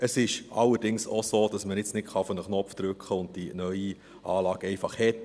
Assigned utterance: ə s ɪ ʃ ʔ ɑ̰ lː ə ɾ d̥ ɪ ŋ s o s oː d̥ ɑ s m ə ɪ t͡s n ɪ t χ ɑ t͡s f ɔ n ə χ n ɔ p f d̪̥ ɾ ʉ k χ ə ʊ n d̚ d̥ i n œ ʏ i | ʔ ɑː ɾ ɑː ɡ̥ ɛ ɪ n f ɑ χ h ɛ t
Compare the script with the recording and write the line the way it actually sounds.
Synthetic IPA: ə s ɪ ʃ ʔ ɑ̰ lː ə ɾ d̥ ɪ ŋ s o s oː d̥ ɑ s m ə ɪ t͡s n ɪ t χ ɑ f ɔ n ə χ n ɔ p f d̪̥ ɾ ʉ k χ ə ʊ n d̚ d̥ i n œ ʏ i | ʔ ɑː l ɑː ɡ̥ ɛ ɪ f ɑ χ h ɛ t

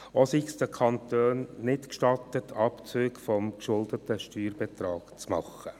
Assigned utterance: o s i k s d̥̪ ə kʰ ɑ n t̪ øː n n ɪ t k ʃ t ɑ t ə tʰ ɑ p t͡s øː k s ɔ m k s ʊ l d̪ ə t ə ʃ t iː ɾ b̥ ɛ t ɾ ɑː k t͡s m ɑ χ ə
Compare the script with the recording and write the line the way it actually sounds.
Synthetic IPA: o s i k s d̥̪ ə kʰ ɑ n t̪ øː n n ɪ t k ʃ t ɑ t ə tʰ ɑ p t͡s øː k f ɔ m k ʃ ʊ l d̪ ə t ə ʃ t yː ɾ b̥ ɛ t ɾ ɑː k t͡s m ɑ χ ə

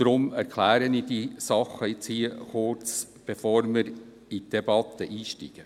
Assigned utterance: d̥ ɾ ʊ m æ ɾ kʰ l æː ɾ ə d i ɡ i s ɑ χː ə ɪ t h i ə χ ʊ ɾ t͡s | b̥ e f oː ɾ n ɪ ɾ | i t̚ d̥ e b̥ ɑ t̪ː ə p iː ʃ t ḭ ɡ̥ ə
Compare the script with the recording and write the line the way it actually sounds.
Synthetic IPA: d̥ ɾ ʊ m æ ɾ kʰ l æː ɾ ə n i d i s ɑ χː ə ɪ t͡s h i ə χ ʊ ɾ t͡s | b̥ e f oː ɾ m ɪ ɾ | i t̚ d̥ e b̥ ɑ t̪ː ə ʔ iː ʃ t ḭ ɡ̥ ə

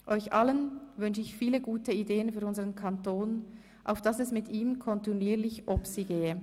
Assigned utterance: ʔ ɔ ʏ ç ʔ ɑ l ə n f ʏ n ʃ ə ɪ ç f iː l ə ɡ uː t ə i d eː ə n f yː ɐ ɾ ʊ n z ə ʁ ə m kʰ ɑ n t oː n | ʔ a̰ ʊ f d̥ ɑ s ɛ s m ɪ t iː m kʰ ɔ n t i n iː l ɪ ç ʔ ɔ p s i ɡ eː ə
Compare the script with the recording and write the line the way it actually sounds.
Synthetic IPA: ʔ ɔ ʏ ç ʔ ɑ l ə n v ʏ n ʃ ə ɪ ç f iː l ə ɡ uː t ə i d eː ə n f yː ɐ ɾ ʊ n z ə ʁ ə n kʰ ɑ n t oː n | ʔ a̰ ʊ f d̥ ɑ s ɛ s m ɪ t iː m kʰ ɔ n t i n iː l ɪ ç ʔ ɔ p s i ɡ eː ə

